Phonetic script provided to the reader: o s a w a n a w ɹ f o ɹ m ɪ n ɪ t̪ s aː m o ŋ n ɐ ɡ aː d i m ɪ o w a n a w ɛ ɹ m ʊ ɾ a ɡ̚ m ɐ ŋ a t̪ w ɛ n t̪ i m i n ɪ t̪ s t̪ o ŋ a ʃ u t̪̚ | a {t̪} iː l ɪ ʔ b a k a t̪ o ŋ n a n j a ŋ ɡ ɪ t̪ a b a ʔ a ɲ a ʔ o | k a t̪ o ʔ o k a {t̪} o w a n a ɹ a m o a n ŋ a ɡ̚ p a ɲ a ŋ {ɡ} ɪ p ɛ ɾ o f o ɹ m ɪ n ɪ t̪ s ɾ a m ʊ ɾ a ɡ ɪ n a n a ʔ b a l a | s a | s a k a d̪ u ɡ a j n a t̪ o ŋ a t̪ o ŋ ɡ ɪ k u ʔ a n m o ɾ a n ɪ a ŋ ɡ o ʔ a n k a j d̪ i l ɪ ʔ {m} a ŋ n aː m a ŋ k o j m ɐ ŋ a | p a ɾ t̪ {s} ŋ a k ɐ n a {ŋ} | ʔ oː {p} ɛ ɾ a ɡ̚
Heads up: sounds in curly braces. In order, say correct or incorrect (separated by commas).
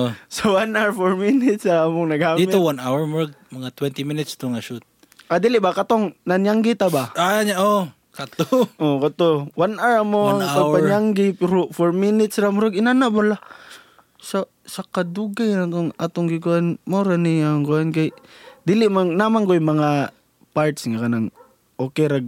incorrect, correct, correct, correct, correct, correct, incorrect